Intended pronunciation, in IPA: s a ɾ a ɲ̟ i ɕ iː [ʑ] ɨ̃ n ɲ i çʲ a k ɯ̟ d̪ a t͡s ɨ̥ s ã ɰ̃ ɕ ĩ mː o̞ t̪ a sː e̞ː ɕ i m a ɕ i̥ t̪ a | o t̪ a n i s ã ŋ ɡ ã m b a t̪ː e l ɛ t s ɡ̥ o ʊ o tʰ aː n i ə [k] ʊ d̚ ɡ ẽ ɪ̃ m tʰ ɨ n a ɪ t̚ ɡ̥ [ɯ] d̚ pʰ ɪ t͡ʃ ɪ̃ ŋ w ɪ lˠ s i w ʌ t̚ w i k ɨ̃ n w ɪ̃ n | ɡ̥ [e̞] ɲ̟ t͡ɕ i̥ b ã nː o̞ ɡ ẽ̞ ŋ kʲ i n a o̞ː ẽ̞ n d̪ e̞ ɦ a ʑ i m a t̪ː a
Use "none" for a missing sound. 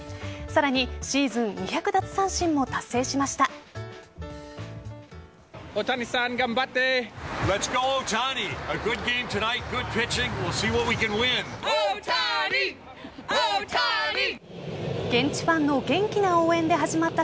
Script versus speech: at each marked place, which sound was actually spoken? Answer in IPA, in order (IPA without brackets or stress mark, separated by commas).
z, ɡ, ʊ, ẽ̞